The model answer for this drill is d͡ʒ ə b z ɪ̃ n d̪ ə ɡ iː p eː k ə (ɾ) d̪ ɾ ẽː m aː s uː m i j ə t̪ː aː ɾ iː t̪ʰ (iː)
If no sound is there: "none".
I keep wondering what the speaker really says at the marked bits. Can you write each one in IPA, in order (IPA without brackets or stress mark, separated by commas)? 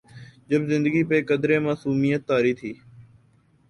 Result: none, iː